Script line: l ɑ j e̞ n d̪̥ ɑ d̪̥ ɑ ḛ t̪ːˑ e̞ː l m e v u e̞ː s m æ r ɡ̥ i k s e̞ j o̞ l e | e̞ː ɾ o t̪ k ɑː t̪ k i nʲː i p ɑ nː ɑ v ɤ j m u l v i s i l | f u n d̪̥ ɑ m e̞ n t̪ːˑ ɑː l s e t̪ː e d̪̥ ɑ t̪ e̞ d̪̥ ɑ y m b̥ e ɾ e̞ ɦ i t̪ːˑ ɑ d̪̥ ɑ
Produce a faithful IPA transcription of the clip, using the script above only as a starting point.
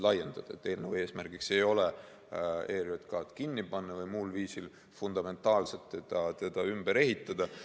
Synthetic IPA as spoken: l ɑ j e̞ n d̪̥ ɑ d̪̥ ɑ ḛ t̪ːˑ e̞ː l n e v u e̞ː s m æ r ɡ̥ i k s e̞ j o̞ l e | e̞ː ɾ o t̪ k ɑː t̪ k i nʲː i p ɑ nː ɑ v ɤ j m u l v iː s i l | f u n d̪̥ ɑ m e̞ n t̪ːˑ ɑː l s e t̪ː e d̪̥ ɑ t̪ e̞ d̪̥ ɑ y m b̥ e ɾ e̞ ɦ i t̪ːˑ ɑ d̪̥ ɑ